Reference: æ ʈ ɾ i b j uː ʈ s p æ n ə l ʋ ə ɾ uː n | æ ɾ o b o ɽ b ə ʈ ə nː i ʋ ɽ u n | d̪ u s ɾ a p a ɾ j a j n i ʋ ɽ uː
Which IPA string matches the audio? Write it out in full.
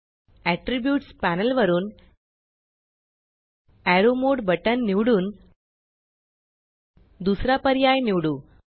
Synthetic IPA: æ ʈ ɾ i b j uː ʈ s p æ n ə l ʋ ə ɾ uː n | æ ɾ o m o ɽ b ə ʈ ə nː i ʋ ɽ uː n | d̪ u s ɾ a p ə ɾ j a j n i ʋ ɽ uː